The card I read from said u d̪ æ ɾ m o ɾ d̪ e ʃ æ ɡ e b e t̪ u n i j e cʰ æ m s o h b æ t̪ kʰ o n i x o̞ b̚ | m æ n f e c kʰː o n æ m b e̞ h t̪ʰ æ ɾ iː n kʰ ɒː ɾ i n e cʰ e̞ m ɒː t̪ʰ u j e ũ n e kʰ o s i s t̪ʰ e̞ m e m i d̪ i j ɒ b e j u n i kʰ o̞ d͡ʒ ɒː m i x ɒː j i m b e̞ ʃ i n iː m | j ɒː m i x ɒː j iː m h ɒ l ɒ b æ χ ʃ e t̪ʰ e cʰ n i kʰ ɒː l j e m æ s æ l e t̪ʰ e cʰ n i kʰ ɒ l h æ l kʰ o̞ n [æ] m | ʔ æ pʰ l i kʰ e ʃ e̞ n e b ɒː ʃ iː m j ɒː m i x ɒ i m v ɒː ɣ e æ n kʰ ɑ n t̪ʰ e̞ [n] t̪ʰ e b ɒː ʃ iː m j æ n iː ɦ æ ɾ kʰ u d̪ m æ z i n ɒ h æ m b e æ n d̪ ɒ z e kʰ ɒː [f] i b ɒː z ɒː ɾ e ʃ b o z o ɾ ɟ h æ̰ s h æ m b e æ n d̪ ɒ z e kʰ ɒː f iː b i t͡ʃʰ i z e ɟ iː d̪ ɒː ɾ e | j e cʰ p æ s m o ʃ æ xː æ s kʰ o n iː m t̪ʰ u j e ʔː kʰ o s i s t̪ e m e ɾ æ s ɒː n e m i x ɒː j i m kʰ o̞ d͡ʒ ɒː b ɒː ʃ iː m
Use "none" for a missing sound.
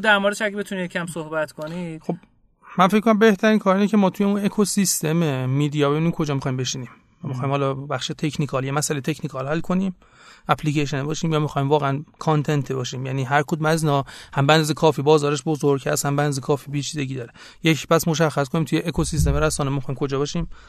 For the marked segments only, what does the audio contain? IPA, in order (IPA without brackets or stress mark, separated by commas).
i, n, f